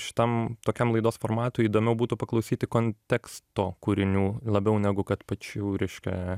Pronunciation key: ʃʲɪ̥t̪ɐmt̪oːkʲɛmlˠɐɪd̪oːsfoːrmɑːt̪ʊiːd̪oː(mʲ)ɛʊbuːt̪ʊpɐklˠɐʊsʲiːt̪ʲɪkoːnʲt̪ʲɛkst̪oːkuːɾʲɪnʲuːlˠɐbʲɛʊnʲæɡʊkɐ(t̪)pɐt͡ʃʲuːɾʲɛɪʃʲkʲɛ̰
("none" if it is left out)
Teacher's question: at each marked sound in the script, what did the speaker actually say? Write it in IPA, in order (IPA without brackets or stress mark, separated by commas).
mʲ, t̪